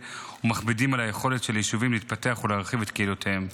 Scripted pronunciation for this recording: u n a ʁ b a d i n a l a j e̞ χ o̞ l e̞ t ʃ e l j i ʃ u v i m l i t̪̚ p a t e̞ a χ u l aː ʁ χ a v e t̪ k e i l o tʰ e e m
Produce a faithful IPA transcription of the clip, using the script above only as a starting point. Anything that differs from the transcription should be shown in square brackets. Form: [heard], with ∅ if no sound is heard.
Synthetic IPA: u [m] a [χ] b [i] d i [m] a l a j e̞ χ o̞ l e̞ t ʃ e l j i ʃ u v i m l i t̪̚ p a t e̞ a χ u l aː ʁ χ [i] v e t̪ k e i l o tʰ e e m